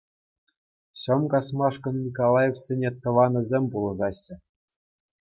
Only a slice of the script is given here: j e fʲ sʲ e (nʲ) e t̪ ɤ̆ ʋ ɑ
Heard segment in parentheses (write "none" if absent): nʲ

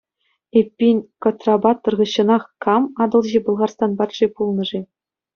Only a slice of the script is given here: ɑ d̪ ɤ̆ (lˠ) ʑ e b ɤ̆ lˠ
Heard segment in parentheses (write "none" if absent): lˠ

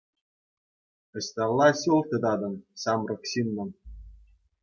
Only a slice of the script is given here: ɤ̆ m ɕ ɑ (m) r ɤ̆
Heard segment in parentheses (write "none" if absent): m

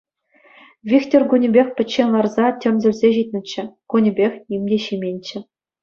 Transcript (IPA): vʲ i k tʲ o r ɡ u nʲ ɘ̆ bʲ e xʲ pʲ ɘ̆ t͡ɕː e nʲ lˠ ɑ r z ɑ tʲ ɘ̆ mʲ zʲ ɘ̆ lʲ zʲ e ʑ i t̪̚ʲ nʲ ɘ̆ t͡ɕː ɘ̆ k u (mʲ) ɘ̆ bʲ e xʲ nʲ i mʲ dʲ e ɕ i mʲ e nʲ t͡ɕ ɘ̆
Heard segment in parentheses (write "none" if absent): nʲ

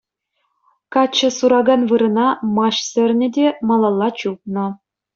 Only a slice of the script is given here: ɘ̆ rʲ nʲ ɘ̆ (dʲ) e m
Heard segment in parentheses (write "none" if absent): dʲ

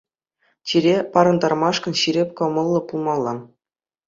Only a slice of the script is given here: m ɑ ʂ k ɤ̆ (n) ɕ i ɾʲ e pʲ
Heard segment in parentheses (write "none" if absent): n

